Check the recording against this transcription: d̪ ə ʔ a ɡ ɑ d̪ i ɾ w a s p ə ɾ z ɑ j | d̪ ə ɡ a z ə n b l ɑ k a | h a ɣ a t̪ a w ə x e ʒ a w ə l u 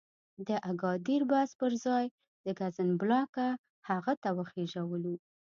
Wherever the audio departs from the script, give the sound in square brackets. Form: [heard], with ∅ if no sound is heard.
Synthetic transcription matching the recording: d̪ ə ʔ a ɡ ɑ d̪ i ɾ [b] a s p ə ɾ z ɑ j | d̪ ə ɡ a z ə n b l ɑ k a | h a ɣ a t̪ a w ə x e ʒ a w ə l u